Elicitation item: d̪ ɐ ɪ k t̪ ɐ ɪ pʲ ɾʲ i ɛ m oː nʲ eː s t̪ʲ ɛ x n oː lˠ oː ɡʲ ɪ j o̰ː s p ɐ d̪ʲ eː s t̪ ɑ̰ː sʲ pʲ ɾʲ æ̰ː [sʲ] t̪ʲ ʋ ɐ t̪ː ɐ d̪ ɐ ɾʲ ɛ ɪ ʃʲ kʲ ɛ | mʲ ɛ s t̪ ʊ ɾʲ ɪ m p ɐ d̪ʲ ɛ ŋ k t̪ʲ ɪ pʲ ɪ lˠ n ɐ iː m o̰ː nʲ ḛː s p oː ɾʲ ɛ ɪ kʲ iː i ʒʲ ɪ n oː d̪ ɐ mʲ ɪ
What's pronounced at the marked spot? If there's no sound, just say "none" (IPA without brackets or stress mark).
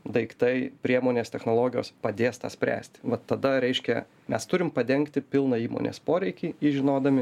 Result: sʲ